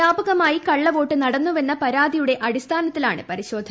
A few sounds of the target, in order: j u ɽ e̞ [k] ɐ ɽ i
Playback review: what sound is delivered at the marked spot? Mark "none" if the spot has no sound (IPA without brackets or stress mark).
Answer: ʔ